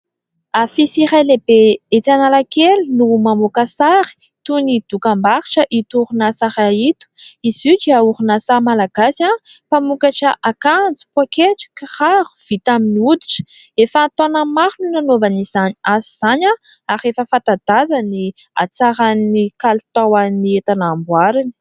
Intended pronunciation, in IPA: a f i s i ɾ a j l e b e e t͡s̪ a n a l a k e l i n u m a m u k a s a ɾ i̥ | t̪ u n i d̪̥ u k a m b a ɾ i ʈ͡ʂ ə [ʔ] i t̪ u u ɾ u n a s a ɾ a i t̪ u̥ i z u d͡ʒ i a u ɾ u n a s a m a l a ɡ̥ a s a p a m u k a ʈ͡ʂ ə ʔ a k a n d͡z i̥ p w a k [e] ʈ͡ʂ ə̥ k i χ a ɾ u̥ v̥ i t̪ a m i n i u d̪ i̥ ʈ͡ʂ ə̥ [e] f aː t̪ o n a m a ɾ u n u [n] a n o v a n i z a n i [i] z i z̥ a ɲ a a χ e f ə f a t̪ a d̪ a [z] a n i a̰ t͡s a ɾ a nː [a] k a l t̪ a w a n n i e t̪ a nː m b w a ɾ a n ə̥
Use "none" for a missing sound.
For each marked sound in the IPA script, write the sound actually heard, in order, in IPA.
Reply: ʔ, e, e, n, a, z, i

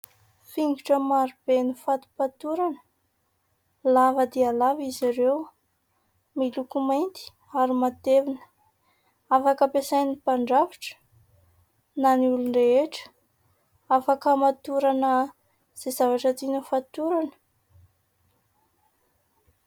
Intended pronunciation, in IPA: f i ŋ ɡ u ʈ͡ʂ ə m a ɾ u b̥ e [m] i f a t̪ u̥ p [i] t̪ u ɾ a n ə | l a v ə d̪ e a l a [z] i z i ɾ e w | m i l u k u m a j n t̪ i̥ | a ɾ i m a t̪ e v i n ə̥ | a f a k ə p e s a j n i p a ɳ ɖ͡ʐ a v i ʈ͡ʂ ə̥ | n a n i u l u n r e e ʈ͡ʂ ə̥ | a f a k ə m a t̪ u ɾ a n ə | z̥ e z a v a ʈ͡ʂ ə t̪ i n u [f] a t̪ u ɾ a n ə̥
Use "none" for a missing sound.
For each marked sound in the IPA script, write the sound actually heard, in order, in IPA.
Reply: n, a, v, f

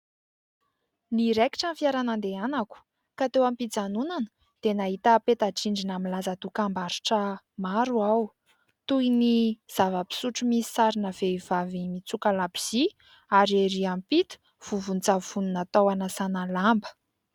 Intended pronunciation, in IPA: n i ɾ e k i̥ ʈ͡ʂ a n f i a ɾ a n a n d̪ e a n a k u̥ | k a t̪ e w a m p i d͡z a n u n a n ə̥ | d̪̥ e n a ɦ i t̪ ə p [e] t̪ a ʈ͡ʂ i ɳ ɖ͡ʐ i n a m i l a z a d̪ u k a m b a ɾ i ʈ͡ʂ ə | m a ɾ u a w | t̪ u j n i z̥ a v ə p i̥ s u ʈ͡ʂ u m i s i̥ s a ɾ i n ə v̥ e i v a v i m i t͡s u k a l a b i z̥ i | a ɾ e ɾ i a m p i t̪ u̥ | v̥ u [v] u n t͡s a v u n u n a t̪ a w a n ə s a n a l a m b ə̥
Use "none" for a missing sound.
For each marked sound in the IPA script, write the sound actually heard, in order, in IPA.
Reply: e, v

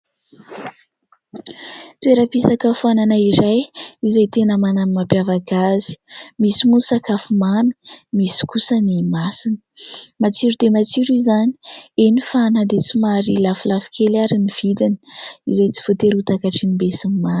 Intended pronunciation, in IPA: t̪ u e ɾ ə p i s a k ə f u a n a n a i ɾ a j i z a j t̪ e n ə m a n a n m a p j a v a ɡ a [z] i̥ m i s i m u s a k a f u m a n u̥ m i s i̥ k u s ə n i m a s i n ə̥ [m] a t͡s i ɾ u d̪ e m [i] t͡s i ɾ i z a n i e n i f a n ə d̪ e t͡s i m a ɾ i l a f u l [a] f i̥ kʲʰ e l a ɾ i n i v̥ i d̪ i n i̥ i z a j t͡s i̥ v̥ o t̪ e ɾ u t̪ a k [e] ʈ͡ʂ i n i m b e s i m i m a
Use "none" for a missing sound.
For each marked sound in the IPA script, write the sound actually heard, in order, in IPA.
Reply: z, m, a, a, a

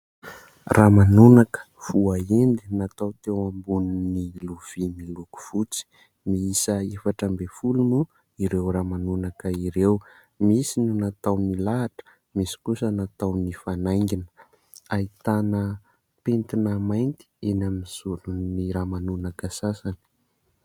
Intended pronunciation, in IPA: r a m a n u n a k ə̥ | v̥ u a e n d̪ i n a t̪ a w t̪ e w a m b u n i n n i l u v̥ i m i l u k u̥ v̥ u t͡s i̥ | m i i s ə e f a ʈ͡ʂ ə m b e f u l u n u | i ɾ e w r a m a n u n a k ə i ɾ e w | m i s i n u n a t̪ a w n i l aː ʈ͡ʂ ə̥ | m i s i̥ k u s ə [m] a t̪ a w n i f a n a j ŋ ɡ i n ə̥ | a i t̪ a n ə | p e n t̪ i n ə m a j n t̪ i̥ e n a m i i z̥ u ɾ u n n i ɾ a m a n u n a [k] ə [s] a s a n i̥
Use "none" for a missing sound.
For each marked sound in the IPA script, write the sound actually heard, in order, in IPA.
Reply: n, k, s

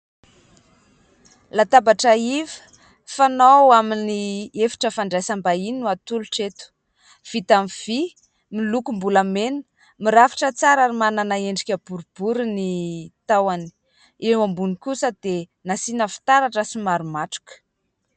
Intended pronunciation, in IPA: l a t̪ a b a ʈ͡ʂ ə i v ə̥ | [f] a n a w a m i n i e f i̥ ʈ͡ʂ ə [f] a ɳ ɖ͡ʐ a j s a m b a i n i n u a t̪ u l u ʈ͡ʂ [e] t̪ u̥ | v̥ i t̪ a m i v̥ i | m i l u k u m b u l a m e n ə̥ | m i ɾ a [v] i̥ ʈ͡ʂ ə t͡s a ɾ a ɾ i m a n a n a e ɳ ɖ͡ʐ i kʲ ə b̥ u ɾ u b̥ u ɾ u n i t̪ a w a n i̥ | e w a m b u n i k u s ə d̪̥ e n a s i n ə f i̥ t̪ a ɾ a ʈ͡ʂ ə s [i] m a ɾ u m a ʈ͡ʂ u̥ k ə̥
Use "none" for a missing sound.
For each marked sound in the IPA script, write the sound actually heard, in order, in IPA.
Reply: f, f, e, f, i

